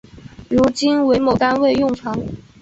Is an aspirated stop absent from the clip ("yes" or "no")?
yes